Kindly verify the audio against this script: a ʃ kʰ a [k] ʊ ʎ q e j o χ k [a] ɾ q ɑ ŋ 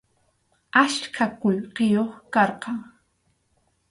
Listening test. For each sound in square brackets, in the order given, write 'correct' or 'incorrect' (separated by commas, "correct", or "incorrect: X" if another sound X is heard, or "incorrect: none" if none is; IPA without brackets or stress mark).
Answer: correct, incorrect: ɑ